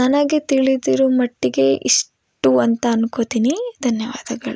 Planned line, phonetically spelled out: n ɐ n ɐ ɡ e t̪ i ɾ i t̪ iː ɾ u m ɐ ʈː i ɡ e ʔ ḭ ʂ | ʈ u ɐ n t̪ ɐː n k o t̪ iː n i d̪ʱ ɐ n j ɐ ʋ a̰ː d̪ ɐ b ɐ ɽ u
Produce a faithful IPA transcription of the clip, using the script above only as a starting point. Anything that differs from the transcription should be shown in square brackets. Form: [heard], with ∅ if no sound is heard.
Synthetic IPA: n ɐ n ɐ ɡ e t̪ i [ɭ] i [d̪] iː ɾ u m ɐ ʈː i ɡ e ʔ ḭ ʂ | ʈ u ɐ n t̪ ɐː n k o t̪ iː n i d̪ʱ ɐ n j ɐ ʋ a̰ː d̪ ɐ [ɡ] ɐ [ɭ] u